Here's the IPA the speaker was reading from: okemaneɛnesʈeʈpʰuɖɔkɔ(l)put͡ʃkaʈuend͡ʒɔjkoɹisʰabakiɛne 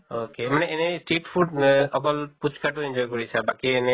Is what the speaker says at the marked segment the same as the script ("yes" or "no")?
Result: yes